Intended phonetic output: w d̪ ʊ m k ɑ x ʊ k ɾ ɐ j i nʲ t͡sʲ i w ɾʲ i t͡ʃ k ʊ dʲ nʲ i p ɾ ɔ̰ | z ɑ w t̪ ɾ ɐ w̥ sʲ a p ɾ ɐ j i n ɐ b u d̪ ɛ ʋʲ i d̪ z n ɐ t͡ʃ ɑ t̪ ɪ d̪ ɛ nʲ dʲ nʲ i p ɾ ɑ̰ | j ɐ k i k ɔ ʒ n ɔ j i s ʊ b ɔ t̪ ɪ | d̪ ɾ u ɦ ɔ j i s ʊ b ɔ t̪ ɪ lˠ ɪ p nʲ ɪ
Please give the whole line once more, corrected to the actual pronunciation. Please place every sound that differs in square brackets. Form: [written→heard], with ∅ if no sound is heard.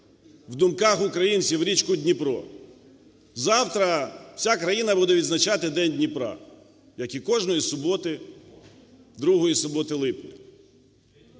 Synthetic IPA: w d̪ ʊ m k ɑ x ʊ k ɾ ɐ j i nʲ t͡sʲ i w ɾʲ i t͡ʃ k ʊ dʲ nʲ i p ɾ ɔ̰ | z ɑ w t̪ ɾ ɐ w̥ sʲ a [p→k] ɾ ɐ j i n ɐ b u d̪ ɛ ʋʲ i d̪ z n ɐ t͡ʃ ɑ t̪ ɪ d̪ ɛ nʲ dʲ nʲ i p ɾ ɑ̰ | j ɐ k i k ɔ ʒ n ɔ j i s ʊ b ɔ t̪ ɪ | d̪ ɾ u ɦ ɔ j i s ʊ b ɔ t̪ ɪ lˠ ɪ p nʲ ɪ